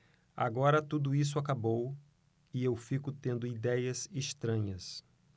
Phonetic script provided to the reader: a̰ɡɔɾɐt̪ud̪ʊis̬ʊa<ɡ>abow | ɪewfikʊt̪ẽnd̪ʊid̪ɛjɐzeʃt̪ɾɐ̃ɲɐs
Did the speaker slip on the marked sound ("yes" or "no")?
yes